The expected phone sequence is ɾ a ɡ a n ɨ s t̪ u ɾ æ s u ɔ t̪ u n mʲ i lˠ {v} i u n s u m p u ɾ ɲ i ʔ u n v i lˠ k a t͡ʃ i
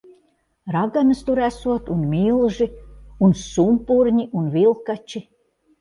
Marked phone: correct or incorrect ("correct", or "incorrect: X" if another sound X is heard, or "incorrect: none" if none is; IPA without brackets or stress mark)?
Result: incorrect: ʒ